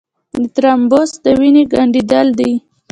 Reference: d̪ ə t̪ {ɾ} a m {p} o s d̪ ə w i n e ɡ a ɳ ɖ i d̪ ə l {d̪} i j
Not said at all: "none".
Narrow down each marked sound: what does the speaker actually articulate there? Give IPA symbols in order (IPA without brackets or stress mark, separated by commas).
ɾ, b, d̪